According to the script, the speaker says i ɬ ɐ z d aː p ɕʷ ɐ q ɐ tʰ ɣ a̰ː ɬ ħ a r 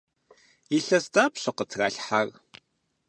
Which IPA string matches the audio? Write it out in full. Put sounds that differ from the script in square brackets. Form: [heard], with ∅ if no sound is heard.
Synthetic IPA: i ɬ ɐ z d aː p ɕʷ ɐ q [ə] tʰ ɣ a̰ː ɬ ħ a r